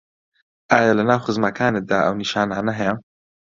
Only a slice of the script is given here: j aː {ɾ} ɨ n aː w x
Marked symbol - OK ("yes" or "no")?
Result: no